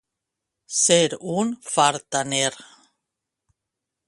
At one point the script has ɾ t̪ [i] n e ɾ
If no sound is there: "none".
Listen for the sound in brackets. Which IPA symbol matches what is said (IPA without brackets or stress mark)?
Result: a